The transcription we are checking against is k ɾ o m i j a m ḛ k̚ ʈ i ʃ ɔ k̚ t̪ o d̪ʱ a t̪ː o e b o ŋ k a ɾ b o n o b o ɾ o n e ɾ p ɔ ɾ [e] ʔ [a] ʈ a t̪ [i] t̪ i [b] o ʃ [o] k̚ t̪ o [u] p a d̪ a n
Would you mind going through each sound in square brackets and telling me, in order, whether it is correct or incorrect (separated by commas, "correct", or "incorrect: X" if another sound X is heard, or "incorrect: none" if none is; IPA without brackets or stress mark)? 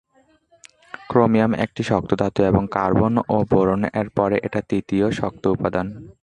correct, incorrect: e, correct, incorrect: none, incorrect: ɔ, correct